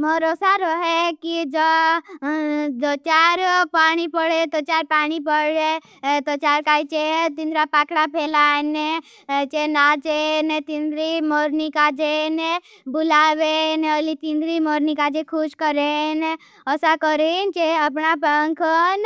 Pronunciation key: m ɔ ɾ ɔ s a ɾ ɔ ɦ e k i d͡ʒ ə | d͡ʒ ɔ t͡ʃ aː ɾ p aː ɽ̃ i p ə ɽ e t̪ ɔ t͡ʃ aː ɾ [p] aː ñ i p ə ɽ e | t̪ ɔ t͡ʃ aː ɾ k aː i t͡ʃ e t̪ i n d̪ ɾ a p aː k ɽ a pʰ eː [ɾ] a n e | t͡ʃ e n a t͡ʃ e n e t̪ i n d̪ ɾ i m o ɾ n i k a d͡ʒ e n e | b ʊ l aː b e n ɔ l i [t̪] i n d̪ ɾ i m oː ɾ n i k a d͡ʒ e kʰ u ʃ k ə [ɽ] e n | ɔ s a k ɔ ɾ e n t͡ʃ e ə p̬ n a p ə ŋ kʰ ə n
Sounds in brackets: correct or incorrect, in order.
correct, incorrect: l, correct, incorrect: ɾ

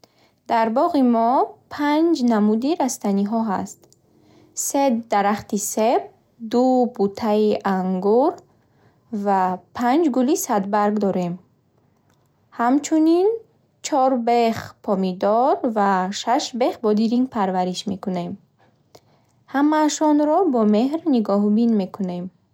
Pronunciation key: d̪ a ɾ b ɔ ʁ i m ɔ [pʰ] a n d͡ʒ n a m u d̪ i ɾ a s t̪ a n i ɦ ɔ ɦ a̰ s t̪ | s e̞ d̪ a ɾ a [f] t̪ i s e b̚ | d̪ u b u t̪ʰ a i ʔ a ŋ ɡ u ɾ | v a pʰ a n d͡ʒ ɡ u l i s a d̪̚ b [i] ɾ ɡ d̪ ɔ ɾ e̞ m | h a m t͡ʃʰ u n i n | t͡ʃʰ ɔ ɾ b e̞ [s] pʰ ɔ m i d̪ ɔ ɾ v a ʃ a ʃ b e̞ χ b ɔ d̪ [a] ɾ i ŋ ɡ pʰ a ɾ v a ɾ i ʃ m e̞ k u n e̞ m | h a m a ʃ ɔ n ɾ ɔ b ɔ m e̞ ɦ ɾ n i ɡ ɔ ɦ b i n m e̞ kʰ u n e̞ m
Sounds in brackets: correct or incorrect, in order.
correct, incorrect: χ, incorrect: a, incorrect: χ, incorrect: i

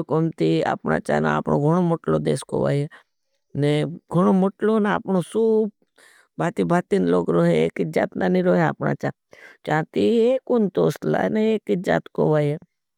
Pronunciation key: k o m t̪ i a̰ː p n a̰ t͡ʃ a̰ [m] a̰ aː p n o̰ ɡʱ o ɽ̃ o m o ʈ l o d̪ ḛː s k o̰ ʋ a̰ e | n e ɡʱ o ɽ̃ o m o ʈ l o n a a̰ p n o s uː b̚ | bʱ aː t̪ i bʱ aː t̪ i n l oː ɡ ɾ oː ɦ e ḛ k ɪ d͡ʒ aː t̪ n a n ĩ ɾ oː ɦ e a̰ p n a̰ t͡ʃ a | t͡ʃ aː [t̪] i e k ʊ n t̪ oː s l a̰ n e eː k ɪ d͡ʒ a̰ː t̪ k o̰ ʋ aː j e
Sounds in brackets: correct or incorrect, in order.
incorrect: n, correct

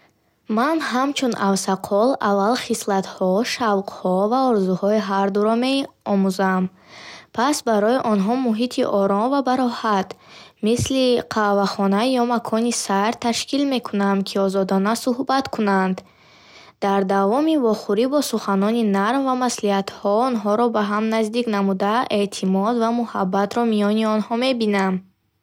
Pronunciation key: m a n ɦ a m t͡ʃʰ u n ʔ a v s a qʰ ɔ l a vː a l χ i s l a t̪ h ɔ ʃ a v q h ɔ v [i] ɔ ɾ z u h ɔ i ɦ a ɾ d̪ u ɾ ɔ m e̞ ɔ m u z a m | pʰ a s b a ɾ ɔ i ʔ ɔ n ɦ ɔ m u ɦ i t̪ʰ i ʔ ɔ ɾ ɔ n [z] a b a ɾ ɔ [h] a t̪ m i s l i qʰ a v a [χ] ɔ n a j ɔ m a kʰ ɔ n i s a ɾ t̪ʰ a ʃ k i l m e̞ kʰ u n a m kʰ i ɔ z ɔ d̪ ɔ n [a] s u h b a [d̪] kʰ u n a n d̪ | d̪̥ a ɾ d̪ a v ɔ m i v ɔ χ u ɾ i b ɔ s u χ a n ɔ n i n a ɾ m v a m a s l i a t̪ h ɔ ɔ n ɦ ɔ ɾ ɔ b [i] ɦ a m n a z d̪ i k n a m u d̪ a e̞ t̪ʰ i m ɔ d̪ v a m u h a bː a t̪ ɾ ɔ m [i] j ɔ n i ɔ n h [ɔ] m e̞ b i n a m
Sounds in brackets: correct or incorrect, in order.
incorrect: a, incorrect: v, correct, correct, correct, incorrect: t̪, incorrect: a, correct, correct

